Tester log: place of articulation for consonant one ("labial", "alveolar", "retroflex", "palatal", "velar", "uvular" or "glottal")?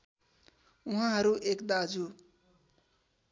glottal